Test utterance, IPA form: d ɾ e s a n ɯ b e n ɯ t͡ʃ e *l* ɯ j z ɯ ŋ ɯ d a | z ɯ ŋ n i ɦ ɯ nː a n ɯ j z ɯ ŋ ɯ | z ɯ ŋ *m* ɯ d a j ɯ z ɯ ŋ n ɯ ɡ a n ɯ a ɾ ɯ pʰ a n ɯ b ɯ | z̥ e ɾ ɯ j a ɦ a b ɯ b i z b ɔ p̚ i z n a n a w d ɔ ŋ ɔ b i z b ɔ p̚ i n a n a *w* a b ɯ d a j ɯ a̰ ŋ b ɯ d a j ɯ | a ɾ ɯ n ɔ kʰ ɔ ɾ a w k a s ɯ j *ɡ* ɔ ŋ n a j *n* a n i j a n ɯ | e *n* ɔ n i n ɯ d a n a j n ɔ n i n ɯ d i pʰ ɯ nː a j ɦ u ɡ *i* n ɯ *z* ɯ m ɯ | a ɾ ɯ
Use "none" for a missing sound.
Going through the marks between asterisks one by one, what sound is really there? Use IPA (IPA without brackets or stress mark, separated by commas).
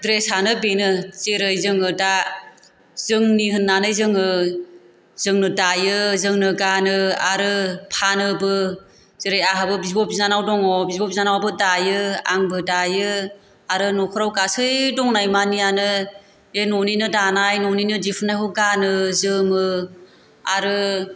ɾ, n, w, d, m, n, a, z